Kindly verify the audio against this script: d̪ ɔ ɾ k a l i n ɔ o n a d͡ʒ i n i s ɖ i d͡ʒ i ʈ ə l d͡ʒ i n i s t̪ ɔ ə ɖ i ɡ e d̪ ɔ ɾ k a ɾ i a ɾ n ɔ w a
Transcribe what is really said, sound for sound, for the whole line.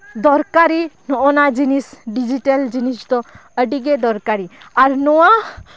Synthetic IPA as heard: d̪ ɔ ɾ k a ɾ i n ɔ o n a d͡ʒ i n i s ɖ i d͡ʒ i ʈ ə l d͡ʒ i n i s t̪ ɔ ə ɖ i ɡ e d̪ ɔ ɾ k a ɾ i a ɾ n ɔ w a